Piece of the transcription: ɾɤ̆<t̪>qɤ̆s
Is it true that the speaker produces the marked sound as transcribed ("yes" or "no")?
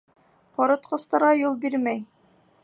yes